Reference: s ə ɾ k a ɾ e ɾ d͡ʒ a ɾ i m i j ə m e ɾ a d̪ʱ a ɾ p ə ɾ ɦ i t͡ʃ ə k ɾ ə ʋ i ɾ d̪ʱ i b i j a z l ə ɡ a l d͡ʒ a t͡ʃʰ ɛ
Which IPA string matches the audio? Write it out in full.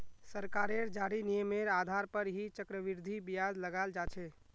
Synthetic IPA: s ə ɾ k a ɾ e ɾ d͡ʒ a ɾ i n i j ə m e ɾ a d̪ʱ a ɾ p ə ɾ ɦ i t͡ʃ ə k ɾ ə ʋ i ɾ d̪ʱ i b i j a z l ə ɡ a l d͡ʒ a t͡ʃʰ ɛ